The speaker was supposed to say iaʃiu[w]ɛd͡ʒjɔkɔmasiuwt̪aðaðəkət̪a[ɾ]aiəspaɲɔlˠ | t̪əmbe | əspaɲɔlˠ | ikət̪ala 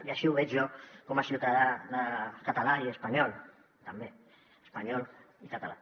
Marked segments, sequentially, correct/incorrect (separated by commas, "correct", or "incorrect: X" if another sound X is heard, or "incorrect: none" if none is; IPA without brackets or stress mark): incorrect: β, incorrect: l